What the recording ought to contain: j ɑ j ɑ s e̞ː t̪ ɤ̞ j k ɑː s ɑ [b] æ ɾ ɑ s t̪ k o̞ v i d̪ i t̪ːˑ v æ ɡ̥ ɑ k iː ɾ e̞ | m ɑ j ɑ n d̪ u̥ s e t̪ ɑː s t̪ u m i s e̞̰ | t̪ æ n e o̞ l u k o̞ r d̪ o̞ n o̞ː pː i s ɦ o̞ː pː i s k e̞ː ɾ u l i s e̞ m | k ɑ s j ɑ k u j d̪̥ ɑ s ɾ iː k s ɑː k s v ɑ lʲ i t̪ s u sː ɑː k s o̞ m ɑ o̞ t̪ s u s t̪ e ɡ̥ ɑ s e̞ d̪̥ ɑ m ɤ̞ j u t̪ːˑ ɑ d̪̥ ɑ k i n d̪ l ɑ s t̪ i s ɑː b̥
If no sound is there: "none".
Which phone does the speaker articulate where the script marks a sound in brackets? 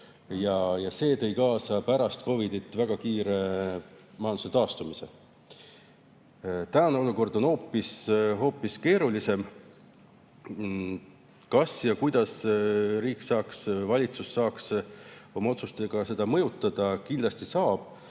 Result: p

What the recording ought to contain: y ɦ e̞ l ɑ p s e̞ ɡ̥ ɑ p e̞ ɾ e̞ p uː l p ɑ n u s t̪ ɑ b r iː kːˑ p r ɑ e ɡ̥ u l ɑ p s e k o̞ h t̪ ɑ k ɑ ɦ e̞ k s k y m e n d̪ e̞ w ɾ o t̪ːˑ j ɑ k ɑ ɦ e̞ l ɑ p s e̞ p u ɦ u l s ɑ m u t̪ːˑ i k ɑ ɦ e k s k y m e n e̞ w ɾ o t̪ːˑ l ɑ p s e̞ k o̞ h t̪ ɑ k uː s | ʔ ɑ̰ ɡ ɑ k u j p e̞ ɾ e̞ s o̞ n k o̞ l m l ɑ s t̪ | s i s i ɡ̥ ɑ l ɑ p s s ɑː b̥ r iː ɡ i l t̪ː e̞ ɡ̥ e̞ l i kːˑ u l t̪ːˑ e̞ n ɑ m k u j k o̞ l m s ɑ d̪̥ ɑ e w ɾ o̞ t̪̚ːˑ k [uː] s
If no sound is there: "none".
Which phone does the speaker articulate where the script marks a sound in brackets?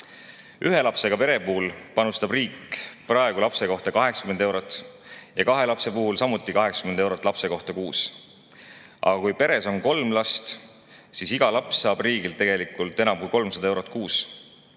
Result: uː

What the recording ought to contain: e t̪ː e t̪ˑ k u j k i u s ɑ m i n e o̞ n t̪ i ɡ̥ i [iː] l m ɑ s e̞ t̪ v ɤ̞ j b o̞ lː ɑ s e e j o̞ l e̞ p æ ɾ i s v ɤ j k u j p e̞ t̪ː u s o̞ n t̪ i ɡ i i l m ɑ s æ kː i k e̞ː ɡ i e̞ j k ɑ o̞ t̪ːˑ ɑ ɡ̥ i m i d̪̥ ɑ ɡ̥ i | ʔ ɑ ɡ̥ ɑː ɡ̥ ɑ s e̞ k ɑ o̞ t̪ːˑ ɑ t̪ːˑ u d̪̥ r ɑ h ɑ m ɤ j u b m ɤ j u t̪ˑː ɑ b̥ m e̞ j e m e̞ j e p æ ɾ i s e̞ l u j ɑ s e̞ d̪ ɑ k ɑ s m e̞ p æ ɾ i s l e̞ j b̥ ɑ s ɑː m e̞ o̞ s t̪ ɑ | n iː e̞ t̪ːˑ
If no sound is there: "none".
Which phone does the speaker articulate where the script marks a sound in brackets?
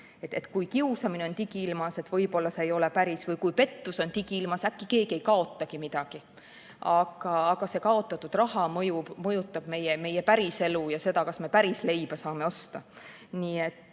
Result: i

